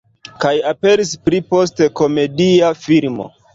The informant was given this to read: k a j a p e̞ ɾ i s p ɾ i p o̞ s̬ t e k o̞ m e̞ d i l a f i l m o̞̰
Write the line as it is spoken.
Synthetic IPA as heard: k a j a p e̞ ɾ i s p ɾ i p o̞ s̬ t e k o̞ m e̞ d i a f i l m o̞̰